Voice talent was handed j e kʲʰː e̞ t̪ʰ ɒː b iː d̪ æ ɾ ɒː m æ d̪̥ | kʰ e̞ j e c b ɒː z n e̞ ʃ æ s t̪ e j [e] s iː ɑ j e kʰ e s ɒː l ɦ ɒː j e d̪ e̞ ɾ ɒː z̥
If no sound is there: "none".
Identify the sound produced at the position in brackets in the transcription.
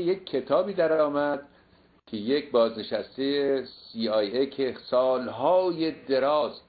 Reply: e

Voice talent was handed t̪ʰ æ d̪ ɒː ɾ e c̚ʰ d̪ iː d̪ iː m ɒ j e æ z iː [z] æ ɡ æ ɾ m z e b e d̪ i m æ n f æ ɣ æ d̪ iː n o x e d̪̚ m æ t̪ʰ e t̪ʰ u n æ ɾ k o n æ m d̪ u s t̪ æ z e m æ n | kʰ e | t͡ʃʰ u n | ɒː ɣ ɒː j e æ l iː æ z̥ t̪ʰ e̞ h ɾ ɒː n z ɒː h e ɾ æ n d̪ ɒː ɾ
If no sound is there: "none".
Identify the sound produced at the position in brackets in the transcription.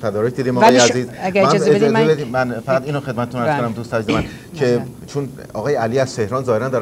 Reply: z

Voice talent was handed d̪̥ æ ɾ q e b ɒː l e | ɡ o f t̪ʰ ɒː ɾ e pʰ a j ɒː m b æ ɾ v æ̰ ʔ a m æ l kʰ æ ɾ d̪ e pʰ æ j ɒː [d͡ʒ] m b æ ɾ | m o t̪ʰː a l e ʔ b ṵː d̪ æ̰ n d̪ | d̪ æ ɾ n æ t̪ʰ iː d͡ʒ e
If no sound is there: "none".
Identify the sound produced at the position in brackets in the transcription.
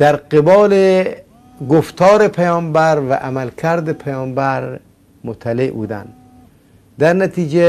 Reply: none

